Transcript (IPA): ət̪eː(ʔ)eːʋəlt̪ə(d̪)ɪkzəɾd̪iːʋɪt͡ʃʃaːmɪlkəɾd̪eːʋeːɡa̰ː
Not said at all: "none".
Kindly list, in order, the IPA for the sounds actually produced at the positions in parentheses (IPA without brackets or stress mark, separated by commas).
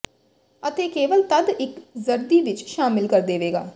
k, d̪